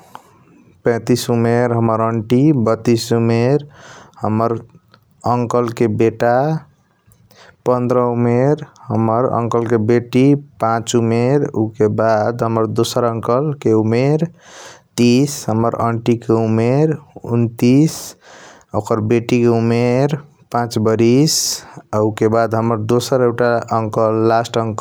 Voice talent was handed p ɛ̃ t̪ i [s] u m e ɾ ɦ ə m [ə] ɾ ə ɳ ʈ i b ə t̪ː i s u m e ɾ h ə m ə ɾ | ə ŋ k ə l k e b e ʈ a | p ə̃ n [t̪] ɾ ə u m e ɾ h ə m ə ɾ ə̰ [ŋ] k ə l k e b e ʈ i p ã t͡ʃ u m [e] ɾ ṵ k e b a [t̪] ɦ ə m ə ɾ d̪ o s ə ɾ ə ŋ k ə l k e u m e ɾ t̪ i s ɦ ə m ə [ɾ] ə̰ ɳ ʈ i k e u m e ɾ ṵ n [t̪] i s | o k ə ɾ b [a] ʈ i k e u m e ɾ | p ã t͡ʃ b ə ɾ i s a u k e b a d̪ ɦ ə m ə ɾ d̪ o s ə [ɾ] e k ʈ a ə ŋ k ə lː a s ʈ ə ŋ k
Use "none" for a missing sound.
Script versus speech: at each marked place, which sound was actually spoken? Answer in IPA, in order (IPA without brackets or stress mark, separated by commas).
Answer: s, ə, d̪, ŋ, e, d̪, ɾ, t̪, e, ɾ